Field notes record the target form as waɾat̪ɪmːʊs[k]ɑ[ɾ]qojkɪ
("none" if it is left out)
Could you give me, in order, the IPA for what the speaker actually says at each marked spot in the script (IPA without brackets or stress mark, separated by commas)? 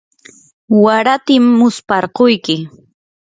p, ɾ